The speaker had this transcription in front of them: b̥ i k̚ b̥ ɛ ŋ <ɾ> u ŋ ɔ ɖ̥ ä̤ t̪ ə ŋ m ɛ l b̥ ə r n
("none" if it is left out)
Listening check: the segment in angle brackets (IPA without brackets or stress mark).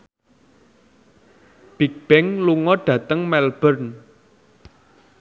l